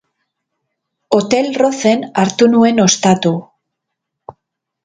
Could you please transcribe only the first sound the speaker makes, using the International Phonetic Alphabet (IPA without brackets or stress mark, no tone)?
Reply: o̞